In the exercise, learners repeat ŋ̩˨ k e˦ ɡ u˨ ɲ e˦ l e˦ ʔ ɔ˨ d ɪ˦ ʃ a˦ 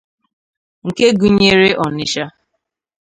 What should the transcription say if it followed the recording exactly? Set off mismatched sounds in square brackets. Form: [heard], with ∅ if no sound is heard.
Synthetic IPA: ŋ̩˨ k e˦ ɡ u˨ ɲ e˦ [ɾ] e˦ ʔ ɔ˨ [n] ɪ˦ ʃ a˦